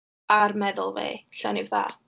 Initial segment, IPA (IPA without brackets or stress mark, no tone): a